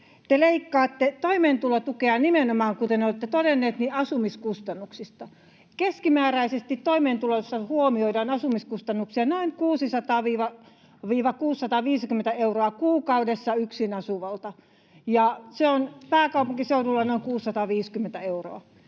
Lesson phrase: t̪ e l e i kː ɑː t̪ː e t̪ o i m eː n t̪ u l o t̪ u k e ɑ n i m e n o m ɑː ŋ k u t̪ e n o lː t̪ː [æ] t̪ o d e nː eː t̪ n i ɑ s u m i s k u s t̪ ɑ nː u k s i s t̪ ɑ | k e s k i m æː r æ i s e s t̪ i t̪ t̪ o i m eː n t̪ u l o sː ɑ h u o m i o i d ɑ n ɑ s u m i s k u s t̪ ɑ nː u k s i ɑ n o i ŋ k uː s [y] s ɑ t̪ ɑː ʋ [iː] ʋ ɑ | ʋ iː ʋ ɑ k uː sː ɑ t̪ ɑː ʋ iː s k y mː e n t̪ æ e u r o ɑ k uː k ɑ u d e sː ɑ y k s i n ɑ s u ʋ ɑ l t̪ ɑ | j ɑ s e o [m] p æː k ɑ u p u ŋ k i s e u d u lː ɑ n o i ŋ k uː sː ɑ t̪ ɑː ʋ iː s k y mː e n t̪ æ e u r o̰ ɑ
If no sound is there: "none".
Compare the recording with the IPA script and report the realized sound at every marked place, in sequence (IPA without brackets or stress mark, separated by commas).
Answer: e, i, iː, n